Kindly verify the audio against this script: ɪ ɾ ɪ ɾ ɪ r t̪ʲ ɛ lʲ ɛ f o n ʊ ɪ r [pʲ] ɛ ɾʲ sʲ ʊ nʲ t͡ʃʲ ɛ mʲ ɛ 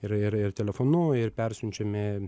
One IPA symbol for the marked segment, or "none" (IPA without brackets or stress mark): pʲ